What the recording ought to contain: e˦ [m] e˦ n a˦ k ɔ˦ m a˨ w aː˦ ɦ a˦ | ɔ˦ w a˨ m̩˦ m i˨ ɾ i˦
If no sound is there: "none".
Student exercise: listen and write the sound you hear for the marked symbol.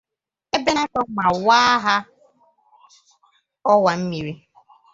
b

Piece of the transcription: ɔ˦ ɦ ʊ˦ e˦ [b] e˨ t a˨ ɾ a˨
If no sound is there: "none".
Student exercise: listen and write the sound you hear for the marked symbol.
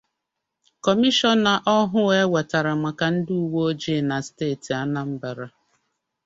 w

